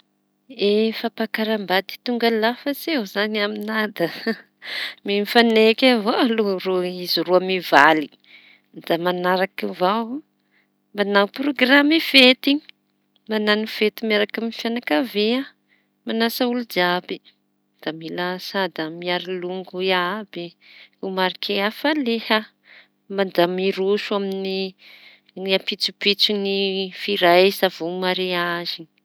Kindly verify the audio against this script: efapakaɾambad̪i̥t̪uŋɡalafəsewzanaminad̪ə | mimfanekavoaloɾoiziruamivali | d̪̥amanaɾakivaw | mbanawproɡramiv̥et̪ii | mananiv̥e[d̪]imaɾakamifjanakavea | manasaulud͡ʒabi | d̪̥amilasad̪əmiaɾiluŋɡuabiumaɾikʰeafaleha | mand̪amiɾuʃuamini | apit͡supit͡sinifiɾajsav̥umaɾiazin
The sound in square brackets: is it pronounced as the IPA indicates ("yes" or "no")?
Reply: no